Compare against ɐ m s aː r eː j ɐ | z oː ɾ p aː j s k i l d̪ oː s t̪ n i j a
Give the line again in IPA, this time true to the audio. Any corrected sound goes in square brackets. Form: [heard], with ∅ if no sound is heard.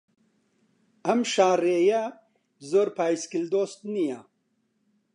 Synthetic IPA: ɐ m [ʃ] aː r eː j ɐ | z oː ɾ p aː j s k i l d̪ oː s t̪ n i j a